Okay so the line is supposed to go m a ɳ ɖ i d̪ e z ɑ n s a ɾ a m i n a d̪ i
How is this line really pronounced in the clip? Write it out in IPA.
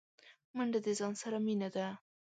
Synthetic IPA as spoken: m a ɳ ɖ a d̪ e z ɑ n s a ɾ a m i n a d̪ a